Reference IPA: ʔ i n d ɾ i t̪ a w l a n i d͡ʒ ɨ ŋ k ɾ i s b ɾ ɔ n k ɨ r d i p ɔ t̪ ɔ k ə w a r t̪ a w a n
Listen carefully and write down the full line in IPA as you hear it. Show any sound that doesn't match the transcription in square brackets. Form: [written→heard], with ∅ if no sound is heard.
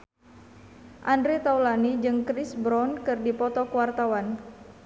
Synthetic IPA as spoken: ʔ [i→a] n d ɾ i t̪ a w l a n i d͡ʒ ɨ ŋ k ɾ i s b ɾ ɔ n k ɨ r d i p ɔ t̪ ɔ k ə w a r t̪ a w a n